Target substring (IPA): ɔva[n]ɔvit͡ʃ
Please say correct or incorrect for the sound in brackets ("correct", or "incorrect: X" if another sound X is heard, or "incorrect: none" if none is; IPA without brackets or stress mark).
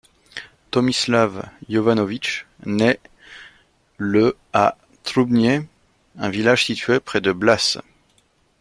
correct